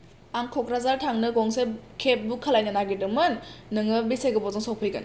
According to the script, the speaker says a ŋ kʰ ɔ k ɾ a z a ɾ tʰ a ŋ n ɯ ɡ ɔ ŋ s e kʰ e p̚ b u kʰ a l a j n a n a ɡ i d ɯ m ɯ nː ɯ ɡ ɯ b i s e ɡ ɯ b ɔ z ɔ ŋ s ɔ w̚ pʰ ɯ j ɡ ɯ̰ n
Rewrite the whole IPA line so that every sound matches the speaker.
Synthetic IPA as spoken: a ŋ kʰ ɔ k ɾ a z a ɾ tʰ a ŋ n ɯ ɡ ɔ ŋ s e kʰ e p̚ b u kʰ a l a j n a n a ɡ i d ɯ m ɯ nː ɯ ŋ ɯ b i s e ɡ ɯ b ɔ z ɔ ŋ s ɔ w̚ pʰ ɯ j ɡ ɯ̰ n